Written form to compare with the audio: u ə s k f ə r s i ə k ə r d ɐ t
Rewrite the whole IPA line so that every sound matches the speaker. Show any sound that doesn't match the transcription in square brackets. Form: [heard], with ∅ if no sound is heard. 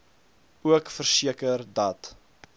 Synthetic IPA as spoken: u ə [∅] k f ə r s i ə k ə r d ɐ t